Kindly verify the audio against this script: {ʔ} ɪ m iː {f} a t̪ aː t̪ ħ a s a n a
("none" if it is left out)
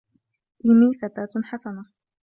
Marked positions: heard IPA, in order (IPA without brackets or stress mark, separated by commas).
ʔ, f